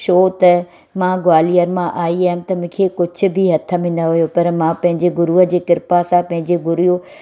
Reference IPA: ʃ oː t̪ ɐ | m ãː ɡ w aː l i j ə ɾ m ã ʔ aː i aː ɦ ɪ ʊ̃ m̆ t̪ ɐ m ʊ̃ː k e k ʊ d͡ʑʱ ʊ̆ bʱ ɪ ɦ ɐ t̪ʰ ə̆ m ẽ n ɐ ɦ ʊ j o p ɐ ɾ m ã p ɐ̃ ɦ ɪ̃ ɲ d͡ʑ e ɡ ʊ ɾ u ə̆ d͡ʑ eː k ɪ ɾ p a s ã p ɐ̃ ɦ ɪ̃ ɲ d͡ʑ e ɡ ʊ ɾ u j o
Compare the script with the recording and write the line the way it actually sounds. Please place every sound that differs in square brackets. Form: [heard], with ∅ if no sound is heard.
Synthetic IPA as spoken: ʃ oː t̪ ɐ | m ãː ɡ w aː l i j ə ɾ m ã ʔ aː i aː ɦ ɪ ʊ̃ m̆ t̪ ɐ m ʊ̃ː [kʰ] e k ʊ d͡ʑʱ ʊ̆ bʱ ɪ ɦ ɐ t̪ʰ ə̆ m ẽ n ɐ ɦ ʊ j o p ɐ ɾ m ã p ɐ̃ ɦ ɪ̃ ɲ d͡ʑ e ɡ ʊ ɾ u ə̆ d͡ʑ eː k ɪ ɾ p a s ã p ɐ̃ ɦ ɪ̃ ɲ d͡ʑ e ɡ ʊ ɾ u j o